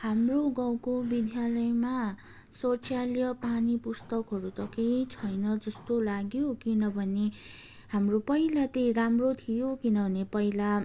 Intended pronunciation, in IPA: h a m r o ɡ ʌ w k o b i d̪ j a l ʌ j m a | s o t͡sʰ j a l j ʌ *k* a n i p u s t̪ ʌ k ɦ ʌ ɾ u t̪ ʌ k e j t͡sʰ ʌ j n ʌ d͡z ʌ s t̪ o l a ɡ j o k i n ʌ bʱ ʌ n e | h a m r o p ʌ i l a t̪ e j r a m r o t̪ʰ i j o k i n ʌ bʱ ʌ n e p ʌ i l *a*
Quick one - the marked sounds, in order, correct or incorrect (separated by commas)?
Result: incorrect, correct